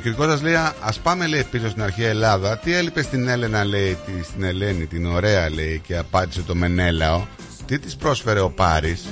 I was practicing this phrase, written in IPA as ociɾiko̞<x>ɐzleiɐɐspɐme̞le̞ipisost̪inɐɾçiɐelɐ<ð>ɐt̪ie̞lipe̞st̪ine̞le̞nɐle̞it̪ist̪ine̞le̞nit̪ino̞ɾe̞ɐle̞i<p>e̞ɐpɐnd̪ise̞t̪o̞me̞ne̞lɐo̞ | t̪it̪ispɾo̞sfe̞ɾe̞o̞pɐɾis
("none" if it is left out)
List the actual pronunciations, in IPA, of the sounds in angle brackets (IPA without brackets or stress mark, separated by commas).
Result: s, ð, c